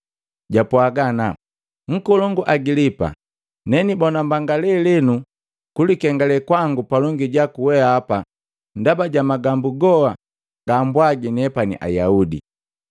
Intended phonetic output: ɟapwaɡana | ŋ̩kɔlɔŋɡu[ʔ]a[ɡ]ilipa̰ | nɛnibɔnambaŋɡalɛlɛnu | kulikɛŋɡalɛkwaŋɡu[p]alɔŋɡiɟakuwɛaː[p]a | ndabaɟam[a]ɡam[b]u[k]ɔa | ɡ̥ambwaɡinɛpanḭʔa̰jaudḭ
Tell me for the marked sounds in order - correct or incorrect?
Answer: correct, correct, correct, correct, correct, correct, incorrect

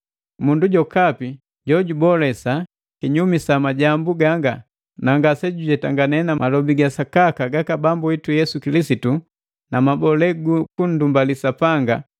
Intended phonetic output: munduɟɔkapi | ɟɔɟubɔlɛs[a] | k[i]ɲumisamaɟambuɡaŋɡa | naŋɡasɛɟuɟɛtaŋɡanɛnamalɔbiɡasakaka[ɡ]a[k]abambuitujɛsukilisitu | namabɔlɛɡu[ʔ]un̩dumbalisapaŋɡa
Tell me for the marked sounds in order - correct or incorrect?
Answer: correct, correct, correct, correct, incorrect

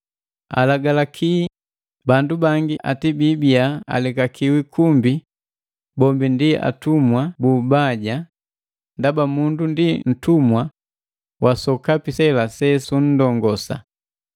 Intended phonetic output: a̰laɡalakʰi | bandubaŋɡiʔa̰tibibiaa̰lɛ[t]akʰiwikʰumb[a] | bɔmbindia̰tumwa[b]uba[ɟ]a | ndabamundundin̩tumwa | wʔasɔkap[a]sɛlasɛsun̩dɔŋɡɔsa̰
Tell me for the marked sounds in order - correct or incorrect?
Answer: incorrect, incorrect, correct, correct, incorrect

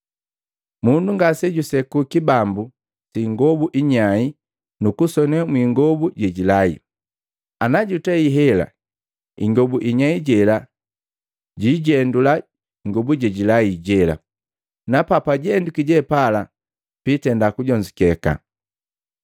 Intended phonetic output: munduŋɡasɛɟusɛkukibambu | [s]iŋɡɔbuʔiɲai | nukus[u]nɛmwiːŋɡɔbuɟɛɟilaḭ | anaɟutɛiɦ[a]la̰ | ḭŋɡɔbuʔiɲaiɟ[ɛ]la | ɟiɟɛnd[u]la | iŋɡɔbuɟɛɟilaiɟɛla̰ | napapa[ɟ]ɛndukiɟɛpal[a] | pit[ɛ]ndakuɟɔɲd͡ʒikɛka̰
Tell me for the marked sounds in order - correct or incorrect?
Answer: correct, incorrect, incorrect, correct, correct, correct, correct, correct

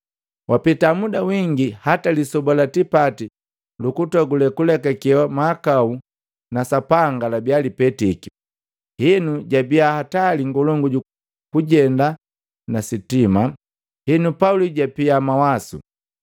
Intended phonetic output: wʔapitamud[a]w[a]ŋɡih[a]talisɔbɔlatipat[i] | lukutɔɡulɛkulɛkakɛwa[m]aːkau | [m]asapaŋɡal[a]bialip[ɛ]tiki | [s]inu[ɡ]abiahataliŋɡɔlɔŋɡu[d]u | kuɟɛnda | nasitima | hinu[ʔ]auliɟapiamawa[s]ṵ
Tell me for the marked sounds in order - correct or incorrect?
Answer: correct, incorrect, correct, correct, correct, incorrect, correct, correct, incorrect, incorrect, incorrect, incorrect, correct

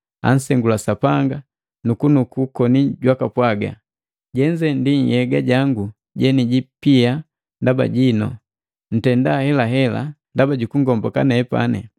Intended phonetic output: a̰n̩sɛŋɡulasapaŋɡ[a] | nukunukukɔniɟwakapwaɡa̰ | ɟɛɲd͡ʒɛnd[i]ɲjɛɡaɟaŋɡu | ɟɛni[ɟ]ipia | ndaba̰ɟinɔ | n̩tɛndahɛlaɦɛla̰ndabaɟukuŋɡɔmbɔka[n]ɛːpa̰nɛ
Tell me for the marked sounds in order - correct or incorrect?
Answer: correct, correct, correct, correct

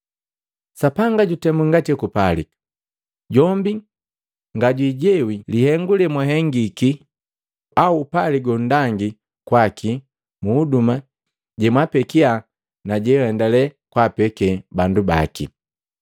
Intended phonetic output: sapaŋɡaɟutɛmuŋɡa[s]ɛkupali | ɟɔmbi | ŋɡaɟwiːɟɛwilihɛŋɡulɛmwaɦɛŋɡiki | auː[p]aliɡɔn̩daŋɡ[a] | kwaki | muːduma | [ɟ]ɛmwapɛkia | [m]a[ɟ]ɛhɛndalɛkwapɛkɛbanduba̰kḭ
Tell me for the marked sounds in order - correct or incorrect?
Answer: incorrect, correct, incorrect, correct, incorrect, correct

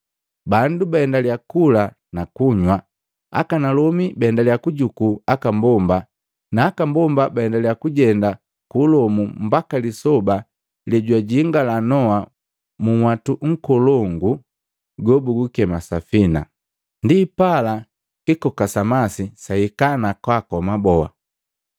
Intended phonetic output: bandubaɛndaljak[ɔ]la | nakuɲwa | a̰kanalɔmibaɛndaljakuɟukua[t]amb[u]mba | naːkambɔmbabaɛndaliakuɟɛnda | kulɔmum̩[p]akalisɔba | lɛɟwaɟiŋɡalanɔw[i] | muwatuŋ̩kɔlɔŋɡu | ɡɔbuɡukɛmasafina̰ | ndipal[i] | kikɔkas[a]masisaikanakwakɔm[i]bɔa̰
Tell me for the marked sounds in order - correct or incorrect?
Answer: incorrect, incorrect, incorrect, incorrect, incorrect, incorrect, correct, incorrect

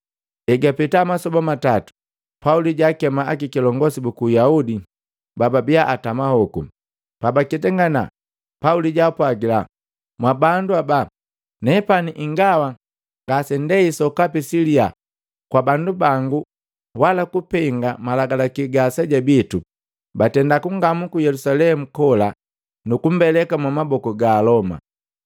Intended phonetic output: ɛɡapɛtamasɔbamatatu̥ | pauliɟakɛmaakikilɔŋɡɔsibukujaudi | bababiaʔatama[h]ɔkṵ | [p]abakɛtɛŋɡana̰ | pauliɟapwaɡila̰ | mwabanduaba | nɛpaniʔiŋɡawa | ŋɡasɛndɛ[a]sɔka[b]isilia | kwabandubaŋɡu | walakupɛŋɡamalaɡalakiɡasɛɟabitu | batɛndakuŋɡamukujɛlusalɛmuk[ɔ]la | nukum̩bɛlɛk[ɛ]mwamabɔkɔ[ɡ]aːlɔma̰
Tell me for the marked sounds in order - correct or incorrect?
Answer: correct, correct, incorrect, incorrect, correct, incorrect, correct

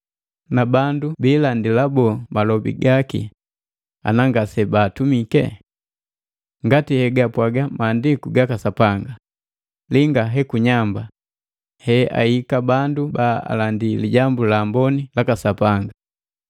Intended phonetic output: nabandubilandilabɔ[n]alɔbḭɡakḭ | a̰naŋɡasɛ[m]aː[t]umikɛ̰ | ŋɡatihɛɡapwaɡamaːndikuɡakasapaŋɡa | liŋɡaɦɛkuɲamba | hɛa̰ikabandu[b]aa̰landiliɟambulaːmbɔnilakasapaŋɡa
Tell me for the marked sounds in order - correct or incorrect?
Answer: incorrect, incorrect, correct, correct

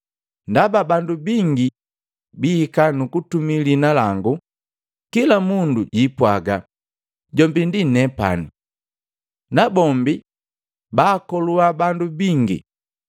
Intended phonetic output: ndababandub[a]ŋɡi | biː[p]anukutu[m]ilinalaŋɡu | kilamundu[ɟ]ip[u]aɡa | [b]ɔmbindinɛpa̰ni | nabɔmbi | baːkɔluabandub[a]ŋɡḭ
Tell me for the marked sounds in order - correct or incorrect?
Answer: incorrect, incorrect, correct, correct, incorrect, incorrect, incorrect

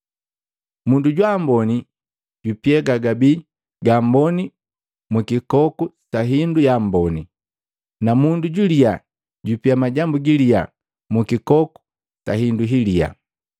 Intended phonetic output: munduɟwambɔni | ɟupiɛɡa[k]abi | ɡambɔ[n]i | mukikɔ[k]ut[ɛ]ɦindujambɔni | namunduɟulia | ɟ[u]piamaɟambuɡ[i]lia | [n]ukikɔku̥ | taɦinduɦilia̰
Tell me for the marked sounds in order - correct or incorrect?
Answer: incorrect, correct, correct, incorrect, correct, correct, incorrect

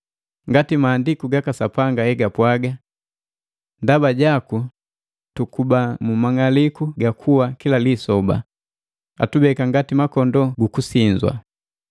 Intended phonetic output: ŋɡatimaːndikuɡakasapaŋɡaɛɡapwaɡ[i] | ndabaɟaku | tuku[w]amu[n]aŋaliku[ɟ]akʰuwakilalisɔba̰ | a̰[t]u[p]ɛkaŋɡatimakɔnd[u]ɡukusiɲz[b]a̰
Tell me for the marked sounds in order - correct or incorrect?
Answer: incorrect, incorrect, incorrect, incorrect, correct, incorrect, incorrect, incorrect

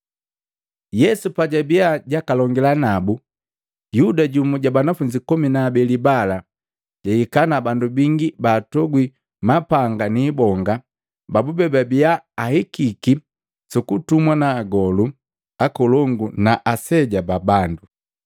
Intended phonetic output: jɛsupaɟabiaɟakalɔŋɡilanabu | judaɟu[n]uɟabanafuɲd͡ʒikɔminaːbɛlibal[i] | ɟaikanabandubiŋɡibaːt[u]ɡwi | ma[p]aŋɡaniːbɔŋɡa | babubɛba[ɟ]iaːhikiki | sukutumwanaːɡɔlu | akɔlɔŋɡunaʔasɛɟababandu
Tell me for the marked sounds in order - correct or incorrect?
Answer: incorrect, incorrect, incorrect, correct, incorrect

